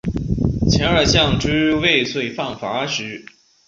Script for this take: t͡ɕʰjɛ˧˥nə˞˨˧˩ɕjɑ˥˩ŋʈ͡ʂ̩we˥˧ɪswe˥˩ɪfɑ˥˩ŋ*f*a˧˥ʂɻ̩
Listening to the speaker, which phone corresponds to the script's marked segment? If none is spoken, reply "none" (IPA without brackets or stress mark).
f